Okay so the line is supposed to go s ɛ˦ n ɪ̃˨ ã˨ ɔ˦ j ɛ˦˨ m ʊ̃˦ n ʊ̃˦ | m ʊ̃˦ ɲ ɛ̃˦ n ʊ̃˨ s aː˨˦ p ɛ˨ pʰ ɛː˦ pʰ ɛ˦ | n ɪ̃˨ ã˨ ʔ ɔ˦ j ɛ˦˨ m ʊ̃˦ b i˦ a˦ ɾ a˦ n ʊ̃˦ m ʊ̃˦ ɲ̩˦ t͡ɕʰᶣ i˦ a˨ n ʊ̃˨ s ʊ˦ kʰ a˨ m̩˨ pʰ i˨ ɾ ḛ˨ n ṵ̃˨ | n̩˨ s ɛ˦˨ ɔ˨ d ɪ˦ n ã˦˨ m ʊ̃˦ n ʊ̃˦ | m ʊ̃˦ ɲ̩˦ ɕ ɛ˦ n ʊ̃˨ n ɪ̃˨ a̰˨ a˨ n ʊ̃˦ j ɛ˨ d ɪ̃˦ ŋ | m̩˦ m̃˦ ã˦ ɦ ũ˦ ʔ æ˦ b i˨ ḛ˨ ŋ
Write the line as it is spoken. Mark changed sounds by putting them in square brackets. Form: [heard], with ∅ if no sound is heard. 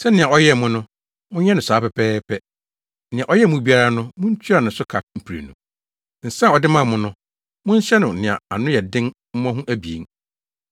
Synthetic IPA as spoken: s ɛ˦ n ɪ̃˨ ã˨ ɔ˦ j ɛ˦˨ m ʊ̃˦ n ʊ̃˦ | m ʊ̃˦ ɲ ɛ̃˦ n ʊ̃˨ s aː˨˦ p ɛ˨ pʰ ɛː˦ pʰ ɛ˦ | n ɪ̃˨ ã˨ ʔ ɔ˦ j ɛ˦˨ m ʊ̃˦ b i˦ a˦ ɾ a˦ n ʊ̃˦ m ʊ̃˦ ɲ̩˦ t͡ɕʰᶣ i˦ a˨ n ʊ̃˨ s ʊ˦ kʰ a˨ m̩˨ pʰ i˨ ɾ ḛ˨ n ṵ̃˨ | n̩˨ s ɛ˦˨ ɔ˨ d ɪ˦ [m] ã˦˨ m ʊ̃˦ n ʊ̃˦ | m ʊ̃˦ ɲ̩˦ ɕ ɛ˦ n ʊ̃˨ n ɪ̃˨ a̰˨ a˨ n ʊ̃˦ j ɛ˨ d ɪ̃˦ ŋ | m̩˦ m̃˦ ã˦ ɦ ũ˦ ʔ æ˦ b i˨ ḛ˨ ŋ